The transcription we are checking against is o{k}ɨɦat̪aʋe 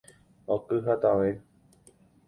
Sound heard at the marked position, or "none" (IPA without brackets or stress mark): k